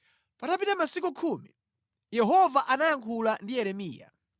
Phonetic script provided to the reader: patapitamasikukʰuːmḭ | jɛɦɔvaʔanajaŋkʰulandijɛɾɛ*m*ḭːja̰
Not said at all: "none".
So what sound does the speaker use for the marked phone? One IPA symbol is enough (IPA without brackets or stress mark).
m